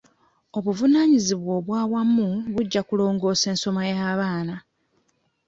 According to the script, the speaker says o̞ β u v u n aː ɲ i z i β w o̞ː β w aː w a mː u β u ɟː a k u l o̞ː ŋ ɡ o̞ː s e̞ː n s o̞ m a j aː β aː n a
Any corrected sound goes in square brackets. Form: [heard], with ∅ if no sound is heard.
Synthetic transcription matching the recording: o̞ β u v u n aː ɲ i z i β w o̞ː β w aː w a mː u β u ɟː a k u l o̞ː ŋ ɡ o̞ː s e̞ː n s o̞ m a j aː β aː n a